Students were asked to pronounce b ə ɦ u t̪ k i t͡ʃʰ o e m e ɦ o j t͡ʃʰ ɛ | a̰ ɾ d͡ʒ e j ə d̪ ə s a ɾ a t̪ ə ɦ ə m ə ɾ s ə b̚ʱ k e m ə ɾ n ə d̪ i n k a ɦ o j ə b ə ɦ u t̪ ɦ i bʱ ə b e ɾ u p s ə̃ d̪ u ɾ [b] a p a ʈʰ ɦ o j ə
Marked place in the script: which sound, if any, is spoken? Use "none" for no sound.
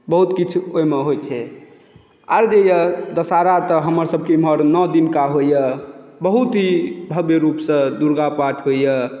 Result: ɡ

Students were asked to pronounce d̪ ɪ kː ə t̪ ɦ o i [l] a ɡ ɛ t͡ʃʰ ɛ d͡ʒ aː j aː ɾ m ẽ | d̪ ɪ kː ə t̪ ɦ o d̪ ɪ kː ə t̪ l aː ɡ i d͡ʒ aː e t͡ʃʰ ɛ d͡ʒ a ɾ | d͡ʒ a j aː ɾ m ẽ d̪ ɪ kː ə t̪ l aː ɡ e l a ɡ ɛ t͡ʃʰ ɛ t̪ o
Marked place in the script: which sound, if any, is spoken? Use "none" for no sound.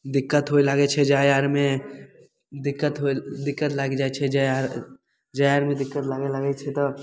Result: l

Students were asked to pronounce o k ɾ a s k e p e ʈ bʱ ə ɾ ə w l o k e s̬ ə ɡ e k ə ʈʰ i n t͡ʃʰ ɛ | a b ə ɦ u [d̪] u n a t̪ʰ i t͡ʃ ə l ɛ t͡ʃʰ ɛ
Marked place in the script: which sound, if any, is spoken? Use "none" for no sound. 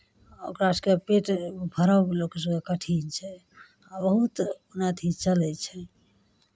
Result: t̪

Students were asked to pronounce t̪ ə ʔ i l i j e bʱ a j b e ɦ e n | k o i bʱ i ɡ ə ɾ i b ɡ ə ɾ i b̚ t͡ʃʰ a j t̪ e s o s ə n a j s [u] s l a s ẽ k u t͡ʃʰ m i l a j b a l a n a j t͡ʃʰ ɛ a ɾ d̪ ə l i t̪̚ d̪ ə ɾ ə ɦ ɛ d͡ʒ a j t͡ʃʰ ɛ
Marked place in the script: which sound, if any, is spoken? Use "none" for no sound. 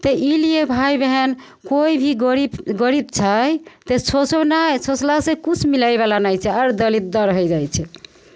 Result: o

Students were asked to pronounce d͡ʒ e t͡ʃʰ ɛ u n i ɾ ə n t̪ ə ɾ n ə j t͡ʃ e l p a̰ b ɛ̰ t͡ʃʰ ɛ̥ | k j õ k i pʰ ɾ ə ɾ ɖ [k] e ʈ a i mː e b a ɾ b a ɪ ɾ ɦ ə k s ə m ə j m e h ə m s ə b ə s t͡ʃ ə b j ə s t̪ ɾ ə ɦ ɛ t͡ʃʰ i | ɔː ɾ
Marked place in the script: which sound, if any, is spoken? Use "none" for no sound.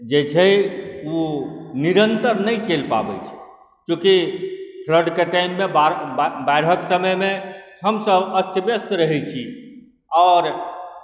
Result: k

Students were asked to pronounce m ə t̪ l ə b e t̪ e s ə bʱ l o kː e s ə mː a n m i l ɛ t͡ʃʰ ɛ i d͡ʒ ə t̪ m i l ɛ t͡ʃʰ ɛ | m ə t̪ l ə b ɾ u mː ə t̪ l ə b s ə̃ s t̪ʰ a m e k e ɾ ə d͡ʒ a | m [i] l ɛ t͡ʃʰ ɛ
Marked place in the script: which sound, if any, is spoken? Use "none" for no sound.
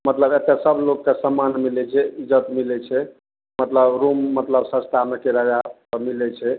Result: i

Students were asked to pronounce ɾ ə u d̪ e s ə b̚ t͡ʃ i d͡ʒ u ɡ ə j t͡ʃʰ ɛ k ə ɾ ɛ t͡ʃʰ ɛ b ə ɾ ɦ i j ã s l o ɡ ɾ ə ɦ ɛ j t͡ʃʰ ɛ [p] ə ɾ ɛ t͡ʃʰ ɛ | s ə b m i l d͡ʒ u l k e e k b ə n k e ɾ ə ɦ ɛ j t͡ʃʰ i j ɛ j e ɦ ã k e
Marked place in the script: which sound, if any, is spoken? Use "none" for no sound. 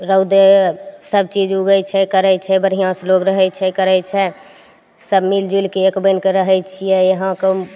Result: k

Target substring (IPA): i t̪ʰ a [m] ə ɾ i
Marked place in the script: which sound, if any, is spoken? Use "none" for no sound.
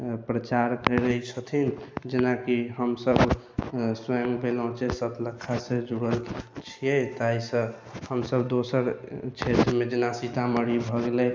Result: m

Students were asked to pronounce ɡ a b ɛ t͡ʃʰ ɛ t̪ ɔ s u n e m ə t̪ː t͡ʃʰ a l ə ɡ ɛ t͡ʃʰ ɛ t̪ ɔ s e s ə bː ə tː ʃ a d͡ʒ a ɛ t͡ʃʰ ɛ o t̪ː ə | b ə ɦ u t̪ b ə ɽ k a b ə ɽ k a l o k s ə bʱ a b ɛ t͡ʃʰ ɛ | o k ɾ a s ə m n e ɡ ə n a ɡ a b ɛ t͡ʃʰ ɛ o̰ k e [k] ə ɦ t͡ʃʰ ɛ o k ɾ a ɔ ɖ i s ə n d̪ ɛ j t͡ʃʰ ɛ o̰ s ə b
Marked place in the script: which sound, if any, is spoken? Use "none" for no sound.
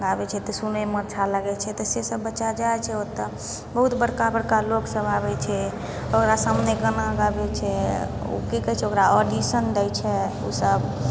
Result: k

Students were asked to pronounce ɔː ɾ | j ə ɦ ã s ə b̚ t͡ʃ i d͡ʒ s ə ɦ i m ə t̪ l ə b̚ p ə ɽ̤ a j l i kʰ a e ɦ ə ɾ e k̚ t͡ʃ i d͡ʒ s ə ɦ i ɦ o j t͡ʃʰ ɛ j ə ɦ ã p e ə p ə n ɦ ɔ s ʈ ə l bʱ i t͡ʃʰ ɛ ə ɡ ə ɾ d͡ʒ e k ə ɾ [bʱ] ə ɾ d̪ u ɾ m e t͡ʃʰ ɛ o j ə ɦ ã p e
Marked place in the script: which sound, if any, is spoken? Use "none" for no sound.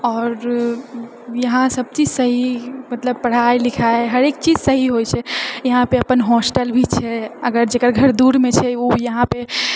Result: ɡʱ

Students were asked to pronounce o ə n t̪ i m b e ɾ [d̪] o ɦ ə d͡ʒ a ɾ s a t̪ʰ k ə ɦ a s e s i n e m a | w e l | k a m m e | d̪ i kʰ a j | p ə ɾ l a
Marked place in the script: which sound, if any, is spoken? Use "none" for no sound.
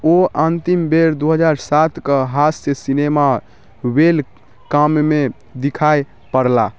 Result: d̪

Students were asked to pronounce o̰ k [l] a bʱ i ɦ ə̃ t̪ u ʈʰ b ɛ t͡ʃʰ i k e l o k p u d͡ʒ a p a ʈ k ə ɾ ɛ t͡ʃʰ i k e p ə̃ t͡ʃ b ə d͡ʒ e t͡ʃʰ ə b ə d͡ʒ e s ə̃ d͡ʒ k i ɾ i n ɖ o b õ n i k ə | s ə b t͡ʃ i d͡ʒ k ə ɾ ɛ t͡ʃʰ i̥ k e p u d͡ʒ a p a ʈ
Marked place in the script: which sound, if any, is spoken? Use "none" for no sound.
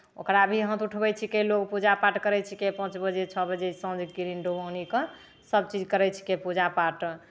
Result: ɾ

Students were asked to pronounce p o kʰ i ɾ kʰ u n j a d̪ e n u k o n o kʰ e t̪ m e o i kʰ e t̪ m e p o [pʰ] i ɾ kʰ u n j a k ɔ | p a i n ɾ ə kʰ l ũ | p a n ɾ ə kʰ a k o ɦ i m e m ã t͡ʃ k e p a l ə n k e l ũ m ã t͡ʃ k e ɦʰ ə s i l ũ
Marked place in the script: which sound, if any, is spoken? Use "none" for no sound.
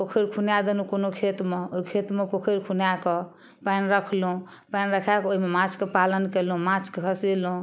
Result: kʰ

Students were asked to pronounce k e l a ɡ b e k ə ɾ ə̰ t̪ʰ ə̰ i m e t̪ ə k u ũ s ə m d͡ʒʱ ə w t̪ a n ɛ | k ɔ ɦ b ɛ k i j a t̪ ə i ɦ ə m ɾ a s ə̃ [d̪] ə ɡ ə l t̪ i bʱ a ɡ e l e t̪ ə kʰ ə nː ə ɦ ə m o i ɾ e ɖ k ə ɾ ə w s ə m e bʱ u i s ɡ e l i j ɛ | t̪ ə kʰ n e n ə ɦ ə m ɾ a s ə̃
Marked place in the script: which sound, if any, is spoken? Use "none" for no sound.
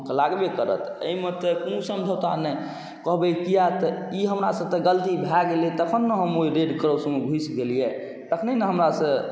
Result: t̪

